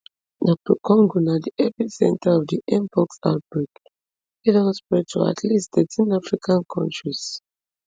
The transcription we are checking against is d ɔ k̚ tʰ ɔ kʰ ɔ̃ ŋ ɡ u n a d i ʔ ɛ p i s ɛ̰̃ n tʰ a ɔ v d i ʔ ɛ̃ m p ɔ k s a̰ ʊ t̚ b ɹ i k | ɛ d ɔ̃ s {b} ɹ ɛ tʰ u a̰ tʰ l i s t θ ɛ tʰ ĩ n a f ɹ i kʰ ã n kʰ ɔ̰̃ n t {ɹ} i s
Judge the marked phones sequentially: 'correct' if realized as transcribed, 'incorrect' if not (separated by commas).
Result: incorrect, correct